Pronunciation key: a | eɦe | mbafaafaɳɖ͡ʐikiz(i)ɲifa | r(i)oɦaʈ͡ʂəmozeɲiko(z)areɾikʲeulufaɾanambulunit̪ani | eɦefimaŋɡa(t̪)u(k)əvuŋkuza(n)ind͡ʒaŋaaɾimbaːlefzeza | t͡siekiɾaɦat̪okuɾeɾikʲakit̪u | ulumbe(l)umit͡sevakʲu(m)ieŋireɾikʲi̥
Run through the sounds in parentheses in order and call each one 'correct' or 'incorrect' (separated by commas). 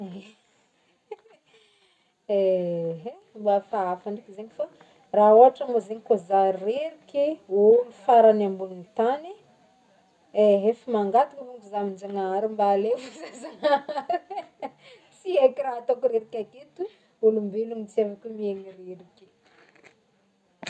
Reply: incorrect, incorrect, correct, correct, correct, incorrect, correct, correct